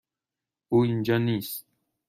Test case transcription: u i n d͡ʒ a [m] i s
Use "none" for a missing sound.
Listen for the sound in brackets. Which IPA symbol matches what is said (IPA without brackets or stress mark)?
n